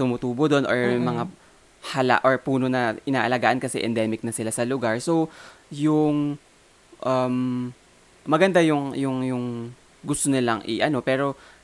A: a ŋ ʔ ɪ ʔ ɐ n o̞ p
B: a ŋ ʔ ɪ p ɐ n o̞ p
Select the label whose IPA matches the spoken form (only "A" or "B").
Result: A